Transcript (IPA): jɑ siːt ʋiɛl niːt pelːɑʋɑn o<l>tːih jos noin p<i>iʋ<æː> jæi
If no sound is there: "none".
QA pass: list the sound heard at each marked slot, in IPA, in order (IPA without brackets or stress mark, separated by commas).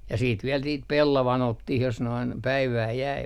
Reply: none, æ, æː